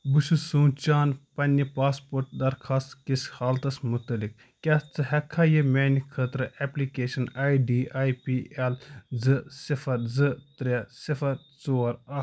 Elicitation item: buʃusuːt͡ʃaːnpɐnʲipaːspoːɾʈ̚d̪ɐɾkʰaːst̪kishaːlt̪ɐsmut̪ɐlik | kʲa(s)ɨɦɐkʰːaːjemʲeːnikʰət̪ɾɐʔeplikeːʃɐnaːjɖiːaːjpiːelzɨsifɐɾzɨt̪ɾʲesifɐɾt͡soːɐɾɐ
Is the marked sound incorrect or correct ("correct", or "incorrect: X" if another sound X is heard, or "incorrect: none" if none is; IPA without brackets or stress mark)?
incorrect: t͡s